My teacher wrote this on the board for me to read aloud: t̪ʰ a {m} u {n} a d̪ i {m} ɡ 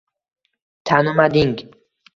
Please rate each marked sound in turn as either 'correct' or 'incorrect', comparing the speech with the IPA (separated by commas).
incorrect, incorrect, incorrect